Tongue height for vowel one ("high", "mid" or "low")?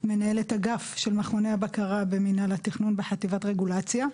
mid